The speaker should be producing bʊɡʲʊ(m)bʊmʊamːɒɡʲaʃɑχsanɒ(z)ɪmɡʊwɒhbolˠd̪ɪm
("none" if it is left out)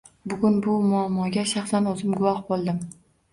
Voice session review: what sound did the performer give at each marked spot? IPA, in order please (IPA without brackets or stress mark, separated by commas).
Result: n, z